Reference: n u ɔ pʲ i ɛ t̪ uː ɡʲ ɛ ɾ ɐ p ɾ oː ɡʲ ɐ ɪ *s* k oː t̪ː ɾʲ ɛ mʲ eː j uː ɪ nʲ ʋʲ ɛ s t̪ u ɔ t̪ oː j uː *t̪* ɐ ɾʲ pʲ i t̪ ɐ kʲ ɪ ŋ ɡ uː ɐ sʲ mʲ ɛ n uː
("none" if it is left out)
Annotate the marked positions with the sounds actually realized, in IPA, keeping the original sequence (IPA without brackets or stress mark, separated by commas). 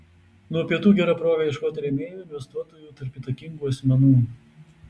ʃ, t̪